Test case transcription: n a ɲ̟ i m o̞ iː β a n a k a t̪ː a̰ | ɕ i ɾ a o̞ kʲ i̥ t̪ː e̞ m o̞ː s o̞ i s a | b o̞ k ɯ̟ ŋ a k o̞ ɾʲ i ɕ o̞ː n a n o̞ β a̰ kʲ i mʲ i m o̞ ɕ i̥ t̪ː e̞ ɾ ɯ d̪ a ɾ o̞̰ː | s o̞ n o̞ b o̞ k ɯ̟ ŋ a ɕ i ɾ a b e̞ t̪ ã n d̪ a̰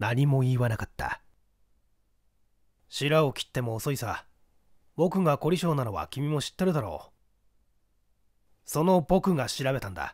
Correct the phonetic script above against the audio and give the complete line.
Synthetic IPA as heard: n a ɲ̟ i m o̞ iː β a n a k a t̪ː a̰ | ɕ i ɾ a o̞ kʲ i̥ t̪ː e̞ m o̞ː s o̞ i s a | b o̞ k ɯ̟ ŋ a k o̞ ɾʲ i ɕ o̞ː n a n o̞ β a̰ kʲ i mʲ i m o̞ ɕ i̥ t̪ː e̞ ɾ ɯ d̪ a ɾ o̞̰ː | s o̞ n o̞ b o̞ k ɯ̟ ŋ a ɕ i ɾ a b e̞ t̪ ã n d̪ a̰